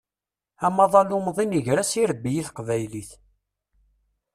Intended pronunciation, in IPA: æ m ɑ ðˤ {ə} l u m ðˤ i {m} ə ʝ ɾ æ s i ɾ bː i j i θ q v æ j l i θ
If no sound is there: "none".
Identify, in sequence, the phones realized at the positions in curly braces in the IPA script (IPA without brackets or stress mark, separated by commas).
ɑ, n